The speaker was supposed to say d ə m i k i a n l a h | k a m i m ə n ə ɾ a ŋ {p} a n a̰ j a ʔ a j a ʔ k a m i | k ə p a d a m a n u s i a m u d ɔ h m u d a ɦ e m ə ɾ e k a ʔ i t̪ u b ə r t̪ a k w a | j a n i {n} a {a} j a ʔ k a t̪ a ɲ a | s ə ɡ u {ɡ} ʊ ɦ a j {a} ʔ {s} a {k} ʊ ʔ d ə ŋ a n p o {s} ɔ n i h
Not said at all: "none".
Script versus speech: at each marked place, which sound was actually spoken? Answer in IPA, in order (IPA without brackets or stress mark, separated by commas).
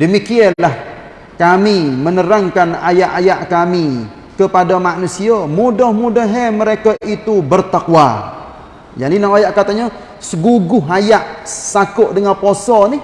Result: k, n, a, ɡ, a, s, k, s